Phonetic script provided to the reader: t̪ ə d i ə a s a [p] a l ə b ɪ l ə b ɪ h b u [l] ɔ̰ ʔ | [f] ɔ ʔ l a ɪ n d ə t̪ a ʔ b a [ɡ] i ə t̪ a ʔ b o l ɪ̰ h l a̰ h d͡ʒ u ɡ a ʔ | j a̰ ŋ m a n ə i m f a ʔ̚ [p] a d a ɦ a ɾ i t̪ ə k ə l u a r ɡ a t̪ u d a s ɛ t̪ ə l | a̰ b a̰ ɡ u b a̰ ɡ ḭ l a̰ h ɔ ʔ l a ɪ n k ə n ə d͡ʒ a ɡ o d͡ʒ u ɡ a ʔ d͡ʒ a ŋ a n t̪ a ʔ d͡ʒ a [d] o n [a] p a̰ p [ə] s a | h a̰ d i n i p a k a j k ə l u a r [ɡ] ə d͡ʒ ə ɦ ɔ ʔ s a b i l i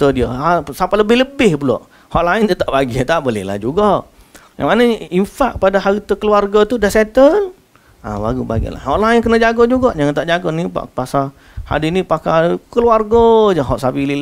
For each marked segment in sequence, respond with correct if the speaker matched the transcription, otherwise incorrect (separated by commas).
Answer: correct, correct, incorrect, correct, correct, incorrect, incorrect, incorrect, correct